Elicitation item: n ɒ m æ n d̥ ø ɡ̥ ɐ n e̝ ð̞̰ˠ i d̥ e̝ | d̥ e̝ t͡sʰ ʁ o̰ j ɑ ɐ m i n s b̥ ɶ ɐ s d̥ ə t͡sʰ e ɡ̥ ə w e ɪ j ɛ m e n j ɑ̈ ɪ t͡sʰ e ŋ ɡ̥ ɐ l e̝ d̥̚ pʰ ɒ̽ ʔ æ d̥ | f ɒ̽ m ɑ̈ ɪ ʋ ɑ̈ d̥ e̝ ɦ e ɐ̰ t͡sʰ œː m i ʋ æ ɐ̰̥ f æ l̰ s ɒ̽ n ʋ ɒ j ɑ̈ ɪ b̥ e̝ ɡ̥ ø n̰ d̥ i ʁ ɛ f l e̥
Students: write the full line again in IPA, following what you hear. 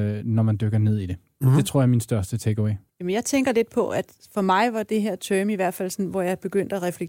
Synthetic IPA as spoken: n ɒ m æ n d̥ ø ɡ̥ ɐ n e̝ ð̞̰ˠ i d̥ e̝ | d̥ e̝ t͡sʰ ʁ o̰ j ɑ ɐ m i n s d̥ ɶ ɐ s d̥ ə t͡sʰ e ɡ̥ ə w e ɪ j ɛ m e n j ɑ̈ ɪ t͡sʰ e ŋ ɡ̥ ɐ l e̝ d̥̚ pʰ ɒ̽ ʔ æ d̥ | f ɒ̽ m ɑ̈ ɪ ʋ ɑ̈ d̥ e̝ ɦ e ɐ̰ t͡sʰ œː m i ʋ æ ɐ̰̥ f æ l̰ s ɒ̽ n ʋ ɒ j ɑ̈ ɪ b̥ e̝ ɡ̥ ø n̰ d̥ æ ʁ ɛ f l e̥